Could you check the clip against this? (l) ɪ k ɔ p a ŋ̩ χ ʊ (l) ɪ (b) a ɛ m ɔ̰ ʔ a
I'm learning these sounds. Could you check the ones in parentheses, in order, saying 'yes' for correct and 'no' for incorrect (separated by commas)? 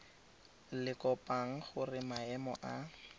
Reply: yes, no, no